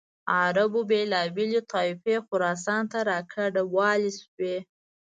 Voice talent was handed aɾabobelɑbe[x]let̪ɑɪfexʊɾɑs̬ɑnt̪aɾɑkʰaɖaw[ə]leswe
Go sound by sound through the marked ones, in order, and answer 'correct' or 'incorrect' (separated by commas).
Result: incorrect, incorrect